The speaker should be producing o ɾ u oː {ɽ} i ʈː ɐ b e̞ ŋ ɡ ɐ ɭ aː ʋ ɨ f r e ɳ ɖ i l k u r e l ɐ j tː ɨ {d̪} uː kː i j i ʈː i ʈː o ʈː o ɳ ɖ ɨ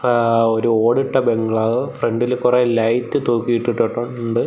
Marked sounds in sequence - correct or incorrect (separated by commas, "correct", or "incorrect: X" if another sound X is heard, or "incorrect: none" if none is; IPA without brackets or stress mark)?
correct, incorrect: t̪